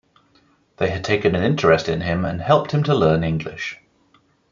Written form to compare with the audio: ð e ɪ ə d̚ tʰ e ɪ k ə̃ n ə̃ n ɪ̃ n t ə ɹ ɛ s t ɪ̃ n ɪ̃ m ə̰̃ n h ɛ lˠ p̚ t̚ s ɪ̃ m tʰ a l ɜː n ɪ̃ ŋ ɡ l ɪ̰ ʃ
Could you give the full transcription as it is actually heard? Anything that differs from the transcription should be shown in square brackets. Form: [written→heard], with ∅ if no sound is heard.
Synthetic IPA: ð e ɪ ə d̚ tʰ e ɪ k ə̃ n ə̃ n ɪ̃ n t ə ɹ ɛ s t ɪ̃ n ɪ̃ m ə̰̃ n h ɛ lˠ p̚ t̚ [s→h] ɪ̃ m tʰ [a→ə] l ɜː n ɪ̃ ŋ ɡ l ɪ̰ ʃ